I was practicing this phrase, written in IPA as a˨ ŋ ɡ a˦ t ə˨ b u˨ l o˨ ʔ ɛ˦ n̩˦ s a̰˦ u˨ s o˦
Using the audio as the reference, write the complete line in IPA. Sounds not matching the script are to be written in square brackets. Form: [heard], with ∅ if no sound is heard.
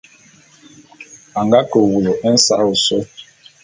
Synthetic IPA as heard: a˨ ŋ ɡ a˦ [k] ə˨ [w] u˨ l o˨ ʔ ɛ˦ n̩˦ s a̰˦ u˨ s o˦